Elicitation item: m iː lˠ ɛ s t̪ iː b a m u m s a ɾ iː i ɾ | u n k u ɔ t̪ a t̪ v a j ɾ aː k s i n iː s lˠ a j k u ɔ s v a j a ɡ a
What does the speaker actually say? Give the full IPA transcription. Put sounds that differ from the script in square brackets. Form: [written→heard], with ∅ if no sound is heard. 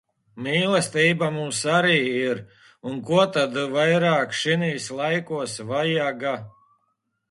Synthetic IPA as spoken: m iː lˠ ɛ s t̪ iː b a m u m s a ɾ iː i ɾ | u n k u ɔ t̪ a [t̪→d̪] v a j ɾ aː k [s→ʃ] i n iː s lˠ a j k u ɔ s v a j a ɡ a